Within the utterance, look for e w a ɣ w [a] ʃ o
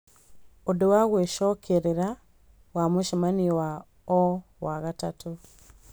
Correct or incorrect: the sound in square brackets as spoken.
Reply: incorrect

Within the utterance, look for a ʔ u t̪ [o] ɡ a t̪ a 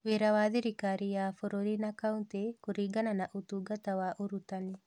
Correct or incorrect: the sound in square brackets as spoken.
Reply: incorrect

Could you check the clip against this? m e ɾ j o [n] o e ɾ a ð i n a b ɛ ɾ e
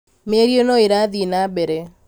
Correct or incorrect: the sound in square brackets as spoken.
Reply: correct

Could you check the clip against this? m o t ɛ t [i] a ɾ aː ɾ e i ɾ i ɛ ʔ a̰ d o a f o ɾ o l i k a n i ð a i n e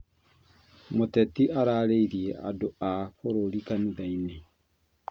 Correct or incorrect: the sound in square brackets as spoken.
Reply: correct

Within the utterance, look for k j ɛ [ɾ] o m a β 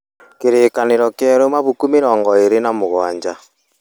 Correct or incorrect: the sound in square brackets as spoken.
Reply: correct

